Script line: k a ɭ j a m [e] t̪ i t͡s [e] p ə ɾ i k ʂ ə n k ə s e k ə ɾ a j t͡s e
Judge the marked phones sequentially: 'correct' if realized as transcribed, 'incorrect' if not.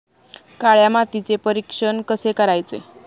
incorrect: a, correct

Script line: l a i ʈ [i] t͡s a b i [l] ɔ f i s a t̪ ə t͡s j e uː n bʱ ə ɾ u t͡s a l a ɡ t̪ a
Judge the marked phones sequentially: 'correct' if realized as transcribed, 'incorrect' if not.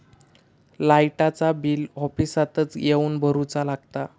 incorrect: a, correct

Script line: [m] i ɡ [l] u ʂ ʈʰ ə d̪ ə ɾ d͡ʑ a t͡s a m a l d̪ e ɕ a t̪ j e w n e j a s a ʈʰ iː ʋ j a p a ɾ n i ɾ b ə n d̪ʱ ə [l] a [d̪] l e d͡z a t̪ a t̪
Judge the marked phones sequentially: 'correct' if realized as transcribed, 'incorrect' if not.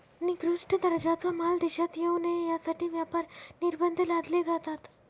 incorrect: n, incorrect: ɾ, correct, correct

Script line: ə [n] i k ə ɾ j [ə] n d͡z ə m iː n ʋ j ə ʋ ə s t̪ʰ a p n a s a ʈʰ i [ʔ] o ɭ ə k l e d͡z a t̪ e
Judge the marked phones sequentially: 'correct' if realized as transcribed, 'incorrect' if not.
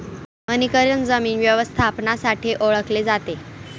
correct, correct, correct

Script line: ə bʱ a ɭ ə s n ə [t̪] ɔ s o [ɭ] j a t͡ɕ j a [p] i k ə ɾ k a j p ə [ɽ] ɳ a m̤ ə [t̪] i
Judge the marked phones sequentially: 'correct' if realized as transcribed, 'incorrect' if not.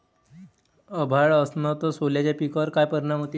correct, incorrect: l, correct, incorrect: ɾ, correct

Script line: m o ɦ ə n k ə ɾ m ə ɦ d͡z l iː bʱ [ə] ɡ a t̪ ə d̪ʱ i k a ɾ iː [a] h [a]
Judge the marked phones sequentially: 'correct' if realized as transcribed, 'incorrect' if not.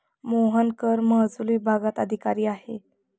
incorrect: a, correct, incorrect: e

